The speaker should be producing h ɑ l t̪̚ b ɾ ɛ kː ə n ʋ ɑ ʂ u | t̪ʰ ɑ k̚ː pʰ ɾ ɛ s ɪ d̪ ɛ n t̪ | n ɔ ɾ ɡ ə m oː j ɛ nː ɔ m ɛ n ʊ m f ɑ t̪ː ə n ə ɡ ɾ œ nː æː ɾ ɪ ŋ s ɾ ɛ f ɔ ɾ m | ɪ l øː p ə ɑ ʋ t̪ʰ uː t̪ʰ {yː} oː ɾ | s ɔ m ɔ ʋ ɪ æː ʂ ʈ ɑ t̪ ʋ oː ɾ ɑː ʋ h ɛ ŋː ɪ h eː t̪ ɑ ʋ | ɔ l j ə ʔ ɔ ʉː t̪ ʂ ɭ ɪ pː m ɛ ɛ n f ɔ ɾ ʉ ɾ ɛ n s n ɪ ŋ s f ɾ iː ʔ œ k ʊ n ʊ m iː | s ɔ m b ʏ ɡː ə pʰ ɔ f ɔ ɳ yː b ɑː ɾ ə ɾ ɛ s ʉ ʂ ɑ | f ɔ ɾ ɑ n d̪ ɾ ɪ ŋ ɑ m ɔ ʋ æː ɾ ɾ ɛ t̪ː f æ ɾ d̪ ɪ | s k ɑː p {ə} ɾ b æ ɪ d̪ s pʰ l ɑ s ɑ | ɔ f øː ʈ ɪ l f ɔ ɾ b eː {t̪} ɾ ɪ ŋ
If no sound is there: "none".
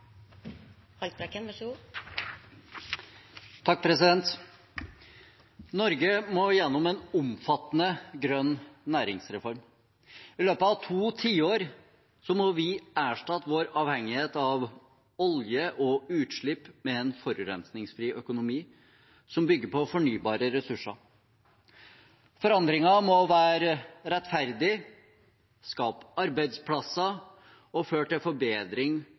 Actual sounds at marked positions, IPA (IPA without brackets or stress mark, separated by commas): iː, ɑ, d̪